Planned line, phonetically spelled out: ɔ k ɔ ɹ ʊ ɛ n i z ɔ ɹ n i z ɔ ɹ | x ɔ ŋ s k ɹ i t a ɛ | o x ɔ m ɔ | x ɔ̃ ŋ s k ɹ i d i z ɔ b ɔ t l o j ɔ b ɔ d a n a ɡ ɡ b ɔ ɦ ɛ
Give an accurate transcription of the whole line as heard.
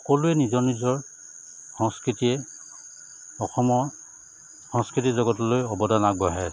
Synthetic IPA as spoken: ɔ k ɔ l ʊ ɛ n i z ɔ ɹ n i z ɔ ɹ | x ɔ ŋ s k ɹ i t i ɛ | ɔ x ɔ m ɔ | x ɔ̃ ŋ s k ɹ i t i z ɔ ɡ ɔ t l o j ɔ b ɔ d a n a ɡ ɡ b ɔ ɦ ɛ